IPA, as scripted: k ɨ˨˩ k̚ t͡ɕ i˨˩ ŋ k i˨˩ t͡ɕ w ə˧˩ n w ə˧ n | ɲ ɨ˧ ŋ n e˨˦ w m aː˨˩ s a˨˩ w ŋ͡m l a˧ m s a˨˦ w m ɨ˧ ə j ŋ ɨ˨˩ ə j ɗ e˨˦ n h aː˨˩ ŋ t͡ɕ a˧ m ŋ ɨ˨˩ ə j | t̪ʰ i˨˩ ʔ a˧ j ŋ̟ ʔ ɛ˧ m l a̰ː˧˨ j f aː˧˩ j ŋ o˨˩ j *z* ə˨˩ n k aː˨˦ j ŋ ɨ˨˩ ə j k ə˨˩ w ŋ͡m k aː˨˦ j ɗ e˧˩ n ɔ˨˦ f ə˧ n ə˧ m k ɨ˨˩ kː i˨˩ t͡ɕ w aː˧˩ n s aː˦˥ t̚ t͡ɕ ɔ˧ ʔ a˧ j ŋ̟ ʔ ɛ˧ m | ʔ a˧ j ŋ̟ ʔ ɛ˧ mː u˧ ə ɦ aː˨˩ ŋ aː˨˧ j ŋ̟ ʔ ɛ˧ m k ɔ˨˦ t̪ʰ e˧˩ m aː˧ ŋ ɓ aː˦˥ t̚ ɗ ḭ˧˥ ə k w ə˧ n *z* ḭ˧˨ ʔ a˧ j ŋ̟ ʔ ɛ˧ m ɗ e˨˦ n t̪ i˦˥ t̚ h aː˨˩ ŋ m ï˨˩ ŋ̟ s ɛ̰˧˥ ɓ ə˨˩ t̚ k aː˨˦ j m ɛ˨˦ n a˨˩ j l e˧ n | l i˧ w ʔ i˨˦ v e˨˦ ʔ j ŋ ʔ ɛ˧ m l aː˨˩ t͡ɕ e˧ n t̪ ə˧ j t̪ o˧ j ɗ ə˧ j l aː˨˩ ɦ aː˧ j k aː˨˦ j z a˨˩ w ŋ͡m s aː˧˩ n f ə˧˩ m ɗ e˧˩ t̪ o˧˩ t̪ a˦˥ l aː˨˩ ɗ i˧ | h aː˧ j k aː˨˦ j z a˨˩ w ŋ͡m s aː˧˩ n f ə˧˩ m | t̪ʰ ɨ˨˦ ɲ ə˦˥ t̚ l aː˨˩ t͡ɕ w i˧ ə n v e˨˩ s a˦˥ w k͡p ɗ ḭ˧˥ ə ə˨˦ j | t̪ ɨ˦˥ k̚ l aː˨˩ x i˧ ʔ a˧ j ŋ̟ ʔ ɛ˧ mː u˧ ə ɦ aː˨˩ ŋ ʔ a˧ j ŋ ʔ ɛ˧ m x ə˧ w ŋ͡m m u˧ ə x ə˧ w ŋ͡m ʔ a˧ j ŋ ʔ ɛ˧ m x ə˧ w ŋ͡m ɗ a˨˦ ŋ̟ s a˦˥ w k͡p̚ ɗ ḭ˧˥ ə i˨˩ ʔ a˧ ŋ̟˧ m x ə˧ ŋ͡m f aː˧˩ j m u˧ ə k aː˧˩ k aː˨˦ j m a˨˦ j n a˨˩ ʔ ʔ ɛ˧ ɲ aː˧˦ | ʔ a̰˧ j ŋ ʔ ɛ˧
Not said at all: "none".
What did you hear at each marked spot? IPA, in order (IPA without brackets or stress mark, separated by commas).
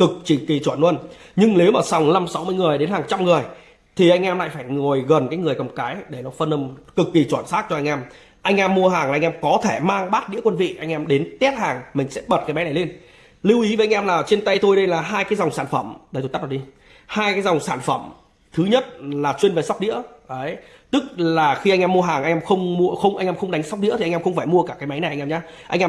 ɣ, v